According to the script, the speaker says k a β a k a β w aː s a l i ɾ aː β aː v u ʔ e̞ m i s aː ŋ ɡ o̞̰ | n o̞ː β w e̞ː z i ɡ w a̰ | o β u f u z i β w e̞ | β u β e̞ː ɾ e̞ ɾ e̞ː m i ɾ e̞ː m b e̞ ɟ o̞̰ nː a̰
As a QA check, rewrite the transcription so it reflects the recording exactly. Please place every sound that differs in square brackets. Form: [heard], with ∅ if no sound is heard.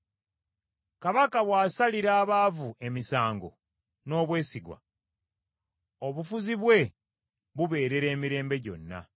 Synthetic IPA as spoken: k a β a k a β w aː s a l i ɾ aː β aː v u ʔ e̞ m i s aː ŋ ɡ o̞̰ | n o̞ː β w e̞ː [s] i ɡ w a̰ | o β u f u z i β w e̞ | β u β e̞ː ɾ e̞ ɾ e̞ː m i ɾ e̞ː m b e̞ ɟ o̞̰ nː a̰